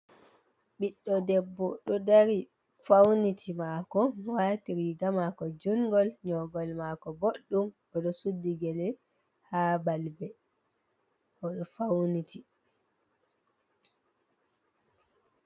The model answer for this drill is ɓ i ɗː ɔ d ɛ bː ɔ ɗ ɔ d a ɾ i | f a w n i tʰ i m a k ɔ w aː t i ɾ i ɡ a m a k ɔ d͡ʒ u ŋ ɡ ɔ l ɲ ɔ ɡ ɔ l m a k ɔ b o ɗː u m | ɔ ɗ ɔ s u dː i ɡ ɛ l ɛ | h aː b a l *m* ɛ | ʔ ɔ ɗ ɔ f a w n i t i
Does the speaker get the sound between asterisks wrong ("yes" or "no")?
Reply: yes